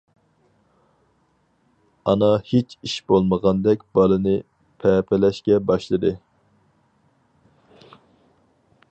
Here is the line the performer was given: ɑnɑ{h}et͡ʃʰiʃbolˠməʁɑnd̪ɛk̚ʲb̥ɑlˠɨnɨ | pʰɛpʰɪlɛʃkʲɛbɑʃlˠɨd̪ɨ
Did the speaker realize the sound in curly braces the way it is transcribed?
yes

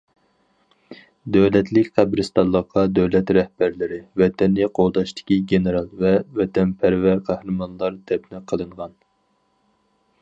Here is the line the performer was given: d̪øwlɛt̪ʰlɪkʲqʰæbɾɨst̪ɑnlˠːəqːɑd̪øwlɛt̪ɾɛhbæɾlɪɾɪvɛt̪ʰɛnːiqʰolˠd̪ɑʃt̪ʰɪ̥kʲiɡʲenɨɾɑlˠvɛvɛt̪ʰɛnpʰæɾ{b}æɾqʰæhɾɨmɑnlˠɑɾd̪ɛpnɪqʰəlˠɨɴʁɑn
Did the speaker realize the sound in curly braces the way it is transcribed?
no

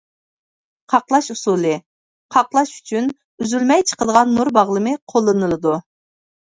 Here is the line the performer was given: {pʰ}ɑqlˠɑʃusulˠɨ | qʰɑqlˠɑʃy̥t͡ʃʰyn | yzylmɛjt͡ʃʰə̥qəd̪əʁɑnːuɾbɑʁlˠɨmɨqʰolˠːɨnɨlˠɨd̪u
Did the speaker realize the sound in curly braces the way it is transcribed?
no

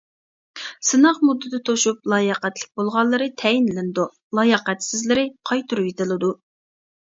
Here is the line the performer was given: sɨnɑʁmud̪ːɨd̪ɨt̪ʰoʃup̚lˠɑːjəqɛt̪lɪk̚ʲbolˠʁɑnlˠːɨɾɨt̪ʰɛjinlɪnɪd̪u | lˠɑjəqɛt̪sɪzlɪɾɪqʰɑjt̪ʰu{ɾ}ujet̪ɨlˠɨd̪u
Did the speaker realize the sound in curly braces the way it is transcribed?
yes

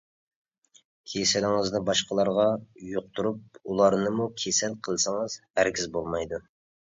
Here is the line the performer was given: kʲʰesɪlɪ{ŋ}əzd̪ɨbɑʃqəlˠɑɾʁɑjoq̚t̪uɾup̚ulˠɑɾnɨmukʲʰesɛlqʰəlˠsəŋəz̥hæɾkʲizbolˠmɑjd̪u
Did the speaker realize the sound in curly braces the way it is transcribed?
yes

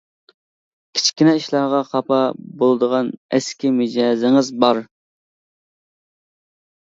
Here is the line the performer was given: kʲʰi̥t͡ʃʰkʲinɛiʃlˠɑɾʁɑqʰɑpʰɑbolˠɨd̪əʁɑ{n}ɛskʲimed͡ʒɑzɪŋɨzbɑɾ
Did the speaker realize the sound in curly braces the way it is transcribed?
yes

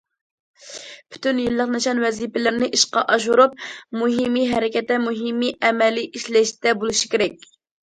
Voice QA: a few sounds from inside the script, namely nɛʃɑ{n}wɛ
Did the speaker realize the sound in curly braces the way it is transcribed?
yes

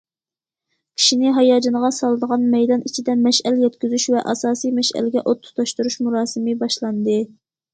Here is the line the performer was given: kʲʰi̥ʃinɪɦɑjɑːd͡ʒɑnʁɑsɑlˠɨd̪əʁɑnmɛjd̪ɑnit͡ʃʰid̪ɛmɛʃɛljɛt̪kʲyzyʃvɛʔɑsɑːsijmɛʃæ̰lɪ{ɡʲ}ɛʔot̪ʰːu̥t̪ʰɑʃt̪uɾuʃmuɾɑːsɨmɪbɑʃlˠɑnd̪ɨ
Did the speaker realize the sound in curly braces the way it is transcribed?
yes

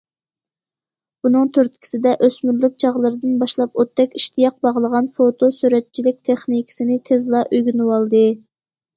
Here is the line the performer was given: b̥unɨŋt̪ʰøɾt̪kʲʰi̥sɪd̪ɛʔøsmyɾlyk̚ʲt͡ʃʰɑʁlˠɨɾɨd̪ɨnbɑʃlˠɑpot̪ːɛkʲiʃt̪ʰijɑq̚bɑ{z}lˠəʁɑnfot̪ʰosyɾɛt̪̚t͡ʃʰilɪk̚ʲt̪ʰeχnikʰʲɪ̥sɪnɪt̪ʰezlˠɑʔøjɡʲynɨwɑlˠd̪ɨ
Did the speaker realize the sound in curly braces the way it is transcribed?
no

